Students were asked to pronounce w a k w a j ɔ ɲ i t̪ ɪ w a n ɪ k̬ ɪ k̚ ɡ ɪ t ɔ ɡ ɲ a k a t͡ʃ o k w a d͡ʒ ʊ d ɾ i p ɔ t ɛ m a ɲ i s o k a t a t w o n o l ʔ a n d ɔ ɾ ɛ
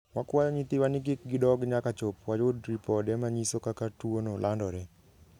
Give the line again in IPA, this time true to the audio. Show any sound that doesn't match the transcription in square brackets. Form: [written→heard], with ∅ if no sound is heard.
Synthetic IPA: w a k w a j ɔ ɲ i t̪ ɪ w a n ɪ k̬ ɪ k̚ ɡ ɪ [t→d] ɔ ɡ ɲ a k a t͡ʃ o [k→p] w a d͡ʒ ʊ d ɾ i p ɔ [t→d] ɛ m a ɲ i s o k a [t→k] a t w o n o l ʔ a n d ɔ ɾ ɛ